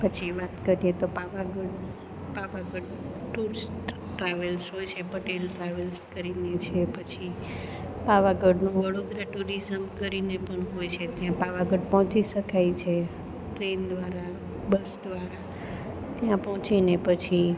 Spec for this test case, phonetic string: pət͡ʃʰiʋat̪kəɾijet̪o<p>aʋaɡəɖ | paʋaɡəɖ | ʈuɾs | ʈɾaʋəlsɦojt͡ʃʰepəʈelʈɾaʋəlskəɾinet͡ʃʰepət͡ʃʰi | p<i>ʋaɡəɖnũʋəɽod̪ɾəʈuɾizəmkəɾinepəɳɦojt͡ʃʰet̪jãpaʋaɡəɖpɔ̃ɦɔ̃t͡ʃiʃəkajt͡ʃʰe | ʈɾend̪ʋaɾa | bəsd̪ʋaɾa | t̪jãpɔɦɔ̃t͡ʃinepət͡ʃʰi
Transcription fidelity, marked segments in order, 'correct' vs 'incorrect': correct, incorrect

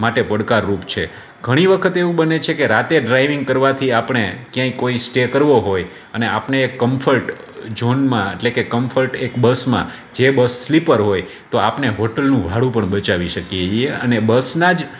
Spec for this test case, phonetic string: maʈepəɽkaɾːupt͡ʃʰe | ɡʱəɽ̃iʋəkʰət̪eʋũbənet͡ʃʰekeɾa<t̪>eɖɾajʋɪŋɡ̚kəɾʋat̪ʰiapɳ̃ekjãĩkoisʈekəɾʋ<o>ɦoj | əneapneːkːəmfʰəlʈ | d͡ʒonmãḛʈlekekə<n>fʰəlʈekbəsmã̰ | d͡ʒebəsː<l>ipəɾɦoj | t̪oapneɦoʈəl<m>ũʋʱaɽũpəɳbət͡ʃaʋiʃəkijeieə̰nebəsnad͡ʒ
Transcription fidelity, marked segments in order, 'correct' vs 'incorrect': correct, correct, incorrect, correct, incorrect

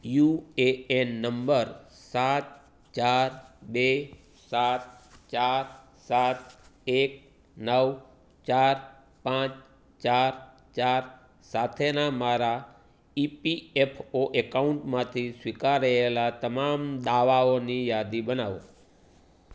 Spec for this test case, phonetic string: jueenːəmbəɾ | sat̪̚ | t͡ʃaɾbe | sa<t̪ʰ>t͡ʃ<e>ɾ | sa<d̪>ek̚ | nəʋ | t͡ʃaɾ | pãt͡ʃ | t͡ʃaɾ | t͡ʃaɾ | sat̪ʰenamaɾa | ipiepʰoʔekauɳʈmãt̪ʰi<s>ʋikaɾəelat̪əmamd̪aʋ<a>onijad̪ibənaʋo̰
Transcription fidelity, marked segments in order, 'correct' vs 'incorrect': incorrect, incorrect, incorrect, correct, correct

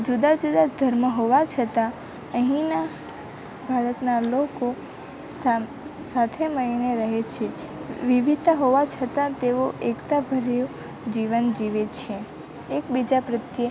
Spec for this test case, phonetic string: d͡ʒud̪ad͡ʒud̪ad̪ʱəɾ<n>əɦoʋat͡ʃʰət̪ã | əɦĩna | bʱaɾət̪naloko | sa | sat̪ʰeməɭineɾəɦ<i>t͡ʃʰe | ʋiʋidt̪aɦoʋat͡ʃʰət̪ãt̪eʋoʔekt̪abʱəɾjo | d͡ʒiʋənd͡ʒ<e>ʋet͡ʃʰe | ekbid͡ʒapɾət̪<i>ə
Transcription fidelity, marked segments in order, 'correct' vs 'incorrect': incorrect, incorrect, incorrect, incorrect

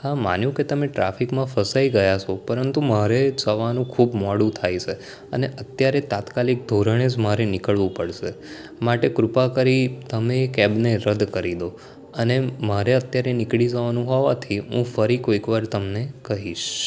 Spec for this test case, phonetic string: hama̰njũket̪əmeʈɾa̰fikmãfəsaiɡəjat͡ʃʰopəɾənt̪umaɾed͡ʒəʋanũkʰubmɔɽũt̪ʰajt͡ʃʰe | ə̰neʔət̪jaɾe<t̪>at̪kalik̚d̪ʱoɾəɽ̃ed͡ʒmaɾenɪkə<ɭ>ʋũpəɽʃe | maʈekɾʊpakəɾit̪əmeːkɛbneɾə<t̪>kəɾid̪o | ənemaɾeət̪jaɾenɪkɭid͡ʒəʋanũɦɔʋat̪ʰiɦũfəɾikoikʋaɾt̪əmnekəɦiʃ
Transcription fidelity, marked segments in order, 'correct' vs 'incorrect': correct, correct, incorrect

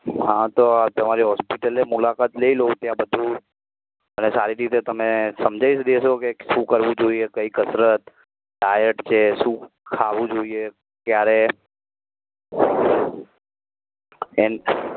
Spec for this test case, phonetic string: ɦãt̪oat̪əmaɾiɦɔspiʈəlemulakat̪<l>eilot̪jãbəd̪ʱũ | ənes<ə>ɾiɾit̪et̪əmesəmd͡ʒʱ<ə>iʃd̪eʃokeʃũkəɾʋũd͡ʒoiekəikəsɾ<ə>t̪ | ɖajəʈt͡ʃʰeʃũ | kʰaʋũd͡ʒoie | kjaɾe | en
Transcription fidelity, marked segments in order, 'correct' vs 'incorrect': correct, incorrect, incorrect, correct

